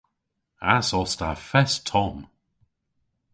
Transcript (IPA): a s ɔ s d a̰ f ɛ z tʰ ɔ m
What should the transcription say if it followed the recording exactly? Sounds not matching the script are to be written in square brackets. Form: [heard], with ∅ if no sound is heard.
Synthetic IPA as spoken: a s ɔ s [t] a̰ f ɛ [s] tʰ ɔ m